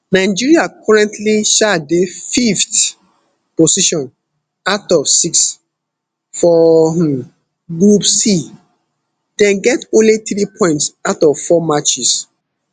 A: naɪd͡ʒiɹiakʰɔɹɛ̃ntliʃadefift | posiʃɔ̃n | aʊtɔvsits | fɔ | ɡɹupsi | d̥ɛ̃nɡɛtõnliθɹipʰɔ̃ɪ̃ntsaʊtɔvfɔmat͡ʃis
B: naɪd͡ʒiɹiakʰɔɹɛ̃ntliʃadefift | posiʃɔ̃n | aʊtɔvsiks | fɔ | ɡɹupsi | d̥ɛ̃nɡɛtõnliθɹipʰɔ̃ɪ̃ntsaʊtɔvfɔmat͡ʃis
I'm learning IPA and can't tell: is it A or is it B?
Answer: B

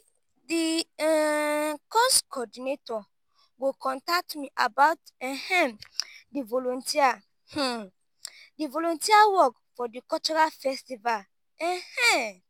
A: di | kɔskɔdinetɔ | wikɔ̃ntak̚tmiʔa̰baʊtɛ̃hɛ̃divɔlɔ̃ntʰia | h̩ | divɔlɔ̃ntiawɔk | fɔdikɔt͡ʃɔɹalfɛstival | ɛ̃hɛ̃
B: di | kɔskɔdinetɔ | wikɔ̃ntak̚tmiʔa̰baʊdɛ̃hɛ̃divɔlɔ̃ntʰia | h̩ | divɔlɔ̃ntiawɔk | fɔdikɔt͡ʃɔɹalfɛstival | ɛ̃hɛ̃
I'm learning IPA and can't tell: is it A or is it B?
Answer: A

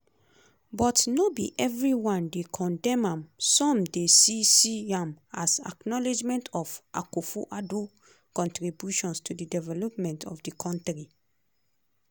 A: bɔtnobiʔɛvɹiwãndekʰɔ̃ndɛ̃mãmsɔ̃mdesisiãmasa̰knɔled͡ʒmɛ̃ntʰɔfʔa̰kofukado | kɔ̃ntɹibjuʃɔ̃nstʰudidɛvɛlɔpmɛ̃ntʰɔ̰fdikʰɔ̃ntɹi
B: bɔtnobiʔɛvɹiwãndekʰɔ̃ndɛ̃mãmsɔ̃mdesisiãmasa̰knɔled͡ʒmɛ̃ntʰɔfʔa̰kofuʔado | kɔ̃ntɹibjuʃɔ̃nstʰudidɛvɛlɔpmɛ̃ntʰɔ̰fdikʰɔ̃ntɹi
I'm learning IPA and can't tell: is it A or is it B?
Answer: B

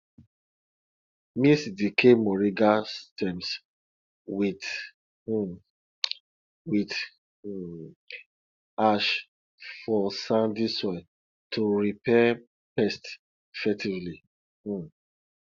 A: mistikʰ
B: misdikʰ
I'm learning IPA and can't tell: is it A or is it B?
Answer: B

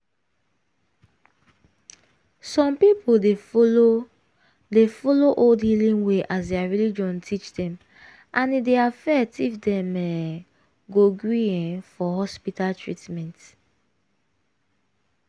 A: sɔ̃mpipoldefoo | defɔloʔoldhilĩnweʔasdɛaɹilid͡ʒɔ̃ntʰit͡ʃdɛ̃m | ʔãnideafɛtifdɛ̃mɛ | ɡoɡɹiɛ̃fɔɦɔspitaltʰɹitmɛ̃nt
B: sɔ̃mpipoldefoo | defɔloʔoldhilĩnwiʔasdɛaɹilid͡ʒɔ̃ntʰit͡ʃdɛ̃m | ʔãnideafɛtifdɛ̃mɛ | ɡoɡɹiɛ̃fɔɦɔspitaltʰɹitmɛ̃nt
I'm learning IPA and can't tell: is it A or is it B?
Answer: A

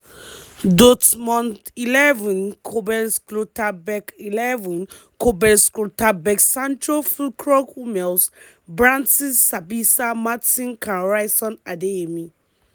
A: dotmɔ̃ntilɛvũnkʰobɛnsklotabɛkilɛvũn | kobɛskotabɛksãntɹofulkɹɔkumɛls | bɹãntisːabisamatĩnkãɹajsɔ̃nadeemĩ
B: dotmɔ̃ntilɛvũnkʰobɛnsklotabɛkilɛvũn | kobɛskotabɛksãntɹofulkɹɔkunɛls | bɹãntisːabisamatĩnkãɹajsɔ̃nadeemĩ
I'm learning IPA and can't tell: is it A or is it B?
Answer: A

